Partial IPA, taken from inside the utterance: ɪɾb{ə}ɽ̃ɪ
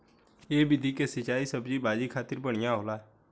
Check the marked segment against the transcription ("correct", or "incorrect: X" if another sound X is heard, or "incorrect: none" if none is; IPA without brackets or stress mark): correct